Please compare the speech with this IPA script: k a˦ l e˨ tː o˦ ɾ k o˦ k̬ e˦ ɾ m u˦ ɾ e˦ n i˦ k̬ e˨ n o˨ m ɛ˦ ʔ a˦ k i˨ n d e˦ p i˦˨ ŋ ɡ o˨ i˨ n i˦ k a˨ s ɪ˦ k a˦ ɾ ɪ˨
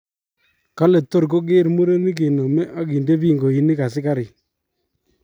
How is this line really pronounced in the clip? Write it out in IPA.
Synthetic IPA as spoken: k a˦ l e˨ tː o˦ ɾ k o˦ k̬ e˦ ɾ m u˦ ɾ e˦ n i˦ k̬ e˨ n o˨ m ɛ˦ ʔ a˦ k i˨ n d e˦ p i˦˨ ŋ ɡ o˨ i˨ n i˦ k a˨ s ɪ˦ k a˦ ɾ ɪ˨